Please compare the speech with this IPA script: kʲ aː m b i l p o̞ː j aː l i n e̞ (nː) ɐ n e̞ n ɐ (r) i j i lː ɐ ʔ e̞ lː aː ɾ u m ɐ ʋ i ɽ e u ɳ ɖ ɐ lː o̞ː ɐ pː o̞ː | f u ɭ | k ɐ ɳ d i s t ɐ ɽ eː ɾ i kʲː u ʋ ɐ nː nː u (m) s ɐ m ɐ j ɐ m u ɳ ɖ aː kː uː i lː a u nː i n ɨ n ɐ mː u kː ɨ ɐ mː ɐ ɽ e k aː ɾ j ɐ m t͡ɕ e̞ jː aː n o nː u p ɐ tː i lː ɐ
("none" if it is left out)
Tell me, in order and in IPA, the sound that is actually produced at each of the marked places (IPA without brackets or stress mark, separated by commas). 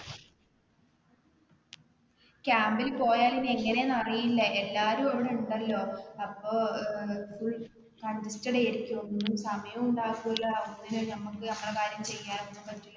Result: ŋː, r, m